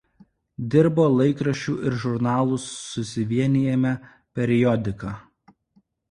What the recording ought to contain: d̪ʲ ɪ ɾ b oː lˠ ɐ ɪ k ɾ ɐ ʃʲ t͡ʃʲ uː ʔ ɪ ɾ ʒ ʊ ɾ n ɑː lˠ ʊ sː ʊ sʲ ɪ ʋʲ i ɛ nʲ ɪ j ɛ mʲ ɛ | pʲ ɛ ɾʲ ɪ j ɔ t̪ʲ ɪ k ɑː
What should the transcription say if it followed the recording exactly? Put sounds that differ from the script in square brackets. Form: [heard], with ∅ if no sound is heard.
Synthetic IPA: d̪ʲ ɪ ɾ b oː lˠ ɐ ɪ k ɾ ɐ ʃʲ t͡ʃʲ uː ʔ ɪ ɾ ʒ ʊ ɾ n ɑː lˠ ʊ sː ʊ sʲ ɪ ʋʲ i ɛ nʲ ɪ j ɛ mʲ ɛ | pʲ ɛ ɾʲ ɪ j ɔ [d̪ʲ] ɪ k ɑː